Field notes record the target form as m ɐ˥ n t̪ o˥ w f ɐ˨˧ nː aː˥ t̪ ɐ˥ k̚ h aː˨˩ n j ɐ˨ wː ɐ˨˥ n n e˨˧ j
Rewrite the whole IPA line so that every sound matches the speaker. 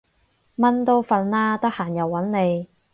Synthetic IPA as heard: m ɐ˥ n t̪ o˥ w f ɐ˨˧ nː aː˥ t̪ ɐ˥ k̚ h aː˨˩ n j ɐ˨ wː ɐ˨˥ n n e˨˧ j